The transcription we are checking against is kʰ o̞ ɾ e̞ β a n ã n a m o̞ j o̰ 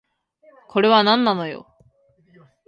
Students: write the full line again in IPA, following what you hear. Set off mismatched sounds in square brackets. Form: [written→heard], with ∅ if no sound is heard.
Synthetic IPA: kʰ o̞ ɾ e̞ β a n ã [n→nː] a [m→n] o̞ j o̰